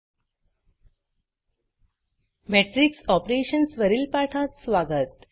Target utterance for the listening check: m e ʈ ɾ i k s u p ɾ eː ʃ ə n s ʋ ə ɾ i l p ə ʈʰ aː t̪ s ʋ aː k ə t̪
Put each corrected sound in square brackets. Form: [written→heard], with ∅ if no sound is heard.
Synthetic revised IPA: m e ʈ ɾ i k s [u→ɔ] p ɾ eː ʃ ə n s ʋ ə ɾ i l p [ə→a] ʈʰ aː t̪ s ʋ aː [k→ɡ] ə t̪